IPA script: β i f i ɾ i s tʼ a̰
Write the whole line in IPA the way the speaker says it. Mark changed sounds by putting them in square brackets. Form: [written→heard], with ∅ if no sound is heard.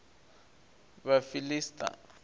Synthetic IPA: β [i→a] f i [ɾ→l] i s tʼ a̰